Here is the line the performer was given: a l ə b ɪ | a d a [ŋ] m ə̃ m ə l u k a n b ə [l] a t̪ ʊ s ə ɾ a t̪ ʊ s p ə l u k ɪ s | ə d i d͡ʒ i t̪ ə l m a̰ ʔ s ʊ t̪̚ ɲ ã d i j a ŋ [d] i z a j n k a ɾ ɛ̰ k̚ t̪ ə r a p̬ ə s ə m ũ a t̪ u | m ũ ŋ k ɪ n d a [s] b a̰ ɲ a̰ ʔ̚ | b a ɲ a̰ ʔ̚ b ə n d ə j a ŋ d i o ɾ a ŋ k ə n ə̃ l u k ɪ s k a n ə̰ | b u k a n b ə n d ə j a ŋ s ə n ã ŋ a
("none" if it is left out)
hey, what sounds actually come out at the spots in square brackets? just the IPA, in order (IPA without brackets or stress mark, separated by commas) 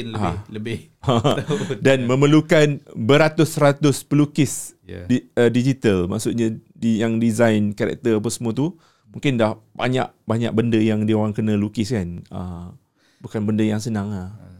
n, ɾ, d, h